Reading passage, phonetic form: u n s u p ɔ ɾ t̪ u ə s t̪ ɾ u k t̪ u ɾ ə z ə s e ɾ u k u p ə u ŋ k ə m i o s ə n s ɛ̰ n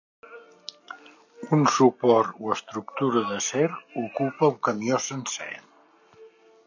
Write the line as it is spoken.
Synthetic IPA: u n s u p ɔ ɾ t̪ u ə s t̪ ɾ u k t̪ u ɾ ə ð ə s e ɾ u k u p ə u ŋ k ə m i o s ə n s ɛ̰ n

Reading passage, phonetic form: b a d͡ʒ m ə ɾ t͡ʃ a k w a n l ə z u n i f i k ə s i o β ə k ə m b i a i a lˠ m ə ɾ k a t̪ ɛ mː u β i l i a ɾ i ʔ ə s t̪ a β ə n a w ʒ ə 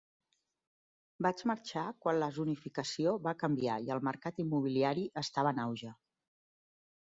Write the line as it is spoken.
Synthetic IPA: b a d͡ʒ m ə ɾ t͡ʃ a k w a n l ə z u n i f i k ə s i o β a k ə m b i a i ə lˠ m ə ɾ k a t̪ i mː u β i l i a ɾ i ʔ ə s t̪ a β ə n a w ʒ ə

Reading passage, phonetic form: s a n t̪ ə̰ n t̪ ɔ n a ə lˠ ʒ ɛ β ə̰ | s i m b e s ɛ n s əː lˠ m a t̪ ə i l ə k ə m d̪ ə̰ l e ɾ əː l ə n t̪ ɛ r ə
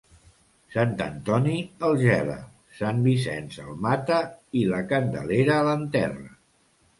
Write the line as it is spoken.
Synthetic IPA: s a n t̪ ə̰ n t̪ ɔ n i ə lˠ ʒ ɛ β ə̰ | s a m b i s ɛ n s ə lˠ m a t̪ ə i l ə k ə n d̪ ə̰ l e ɾ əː l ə n t̪ ɛ r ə

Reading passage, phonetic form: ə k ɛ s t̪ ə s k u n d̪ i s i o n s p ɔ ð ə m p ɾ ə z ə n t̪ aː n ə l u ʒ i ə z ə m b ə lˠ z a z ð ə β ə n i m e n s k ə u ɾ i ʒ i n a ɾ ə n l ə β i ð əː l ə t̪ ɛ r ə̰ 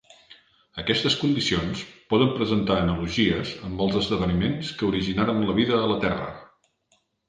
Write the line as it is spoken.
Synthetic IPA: ə k ɛ s t̪ ə s k u n d̪ i s i o n s p ɔ ð ə m p ɾ ə z ə n t̪ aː n ə l u ʒ i ə z ə m b ə lˠ z ə z ð ə β ə n i m e n s k ə u ɾ i ʒ i n a ɾ ə n l ə β i ð əː l ə t̪ ɛ r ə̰

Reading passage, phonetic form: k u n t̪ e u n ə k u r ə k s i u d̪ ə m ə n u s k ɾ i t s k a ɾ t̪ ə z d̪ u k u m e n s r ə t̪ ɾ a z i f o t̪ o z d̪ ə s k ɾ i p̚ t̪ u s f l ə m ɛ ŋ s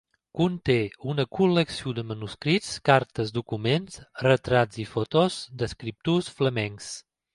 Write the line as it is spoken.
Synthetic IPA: k u n t̪ e u n ə k u l ə k s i u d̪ ə m ə n u s k ɾ i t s k a ɾ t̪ ə z d̪ u k u m e n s r ə t̪ ɾ a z i f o t̪ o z d̪ ə s k ɾ i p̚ t̪ u s f l ə m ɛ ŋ s

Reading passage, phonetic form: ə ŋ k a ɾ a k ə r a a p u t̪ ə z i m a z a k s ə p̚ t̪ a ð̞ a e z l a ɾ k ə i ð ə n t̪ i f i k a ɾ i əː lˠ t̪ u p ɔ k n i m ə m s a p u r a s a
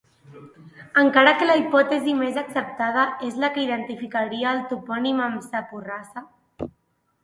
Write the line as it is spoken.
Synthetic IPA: ə ŋ k a ɾ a k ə l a i p ɔ t̪ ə z i m e z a k s ə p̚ t̪ a ð̞ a e z l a k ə i ð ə n t̪ i f i k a ɾ i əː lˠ t̪ u p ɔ n i m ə m s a p u r a s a

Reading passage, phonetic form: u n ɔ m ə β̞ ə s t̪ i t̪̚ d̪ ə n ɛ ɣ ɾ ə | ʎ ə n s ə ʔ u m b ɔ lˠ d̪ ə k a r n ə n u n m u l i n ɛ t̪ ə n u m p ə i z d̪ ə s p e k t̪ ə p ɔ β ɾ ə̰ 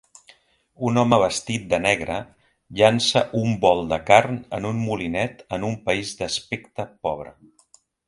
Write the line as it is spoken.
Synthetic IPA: u n ɔ m ə β̞ ə s t̪ i t̪̚ d̪ ə n ɛ ɣ ɾ ə | ʎ a n s ə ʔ u m b ɔ lˠ d̪ ə k a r n ə n u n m u l i n ɛ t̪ ə n u m p ə i z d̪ ə s p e k t̪ ə p ɔ β ɾ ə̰

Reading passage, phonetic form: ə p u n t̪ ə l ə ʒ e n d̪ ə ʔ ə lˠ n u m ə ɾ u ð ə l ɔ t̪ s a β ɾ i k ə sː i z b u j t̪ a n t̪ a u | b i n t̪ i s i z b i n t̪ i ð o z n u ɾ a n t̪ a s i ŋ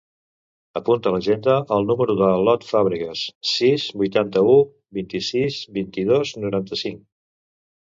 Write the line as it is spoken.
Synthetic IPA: ə p u n t̪ ə l ə ʒ e n d̪ ə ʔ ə lˠ n u m ə ɾ u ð ə l ɔ t̪ f a β ɾ i k ə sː i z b u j t̪ a n t̪ ə u | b i n t̪ i s i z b i n t̪ i ð o z n u ɾ a n t̪ ə s i ŋ

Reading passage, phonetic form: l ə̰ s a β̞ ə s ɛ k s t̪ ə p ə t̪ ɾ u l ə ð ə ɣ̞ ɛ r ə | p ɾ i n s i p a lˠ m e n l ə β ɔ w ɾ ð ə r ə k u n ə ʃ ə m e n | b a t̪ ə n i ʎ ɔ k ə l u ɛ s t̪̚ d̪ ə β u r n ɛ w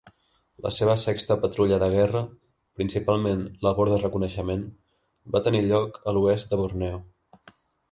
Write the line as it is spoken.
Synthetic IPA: l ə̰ s e β̞ ə s ɛ k s t̪ ə p ə t̪ ɾ u ʎ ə ð ə ɣ̞ ɛ r ə | p ɾ i n s i p a lˠ m e n l ə β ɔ ɾ ð ə r ə k u n ə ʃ ə m e n | b a t̪ ə n i ʎ ɔ k ə l u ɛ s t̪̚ d̪ ə β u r n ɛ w

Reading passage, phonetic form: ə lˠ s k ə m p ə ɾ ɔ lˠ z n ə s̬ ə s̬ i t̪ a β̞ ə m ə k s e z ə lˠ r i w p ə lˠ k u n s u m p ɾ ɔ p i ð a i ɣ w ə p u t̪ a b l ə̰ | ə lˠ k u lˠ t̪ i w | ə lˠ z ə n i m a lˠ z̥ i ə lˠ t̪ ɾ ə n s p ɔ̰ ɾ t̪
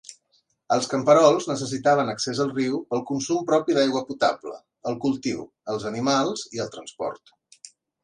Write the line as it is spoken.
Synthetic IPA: ə lˠ s k ə m p ə ɾ ɔ lˠ z n ə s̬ ə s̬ i t̪ a β̞ ə n ə k s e z ə lˠ r i w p ə lˠ k u n s u m p ɾ ɔ p i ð a j ɣ w ə p u t̪ a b l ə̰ | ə lˠ k u lˠ t̪ i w | ə lˠ z ə n i m a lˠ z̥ i ə lˠ t̪ ɾ ə n s p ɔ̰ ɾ t̪

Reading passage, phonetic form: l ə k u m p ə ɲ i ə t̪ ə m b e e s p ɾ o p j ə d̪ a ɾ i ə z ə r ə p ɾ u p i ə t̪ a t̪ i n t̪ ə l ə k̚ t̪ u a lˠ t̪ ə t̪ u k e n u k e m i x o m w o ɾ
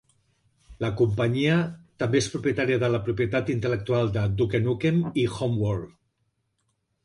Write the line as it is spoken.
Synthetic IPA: l ə k u m p ə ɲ i ə t̪ ə m b e e s p ɾ u p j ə t̪ a ɾ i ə ð ə l ə p ɾ u p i ə t̪ a t̪ i n t̪ ə l ə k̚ t̪ u a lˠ d̪ ə d̪ u k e n u k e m i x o m w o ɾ

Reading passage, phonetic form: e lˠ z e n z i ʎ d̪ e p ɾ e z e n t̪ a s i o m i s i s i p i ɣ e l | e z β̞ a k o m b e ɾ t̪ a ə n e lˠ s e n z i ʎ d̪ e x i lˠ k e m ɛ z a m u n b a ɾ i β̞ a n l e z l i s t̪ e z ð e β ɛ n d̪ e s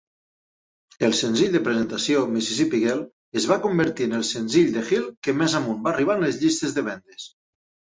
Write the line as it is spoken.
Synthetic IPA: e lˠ s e n z i ʎ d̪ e p ɾ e z e n t̪ a s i o m i s i s i p i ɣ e l | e z β̞ a k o m b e ɾ t̪ i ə n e lˠ s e n z i ʎ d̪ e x i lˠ k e m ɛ z a m u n b a r i β̞ a n l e z ʎ i s t̪ e z ð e β ɛ n d̪ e s

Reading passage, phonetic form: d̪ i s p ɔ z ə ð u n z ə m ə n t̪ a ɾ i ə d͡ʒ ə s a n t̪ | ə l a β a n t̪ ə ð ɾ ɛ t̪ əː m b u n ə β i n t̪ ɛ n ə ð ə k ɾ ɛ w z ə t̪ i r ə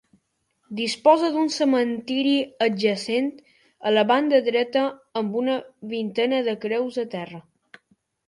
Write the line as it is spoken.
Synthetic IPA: d̪ i s p ɔ z ə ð u n s ə m ə n t̪ i ɾ i ə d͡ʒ ə s e n t̪ | ə l ə β a n d̪ ə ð ɾ ɛ t̪ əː m b u n ə β i n t̪ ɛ n ə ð ə k ɾ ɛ w z ə t̪ ɛ r ə

